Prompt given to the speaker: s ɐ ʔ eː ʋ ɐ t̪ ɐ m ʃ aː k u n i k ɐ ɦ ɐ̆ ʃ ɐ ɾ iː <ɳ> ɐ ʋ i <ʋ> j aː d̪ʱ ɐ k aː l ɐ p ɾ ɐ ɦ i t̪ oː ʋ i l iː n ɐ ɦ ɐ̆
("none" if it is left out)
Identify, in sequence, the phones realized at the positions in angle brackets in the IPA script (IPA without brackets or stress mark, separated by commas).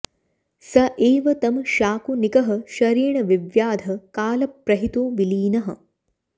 ɳ, ʋ